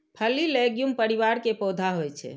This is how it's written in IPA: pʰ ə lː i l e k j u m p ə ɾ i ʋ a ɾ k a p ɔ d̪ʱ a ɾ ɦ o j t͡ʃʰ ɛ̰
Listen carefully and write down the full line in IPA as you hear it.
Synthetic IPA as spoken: pʰ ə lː i l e ɡ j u m p ə ɾ i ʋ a ɾ k e p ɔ d̪ʱ a ɦ o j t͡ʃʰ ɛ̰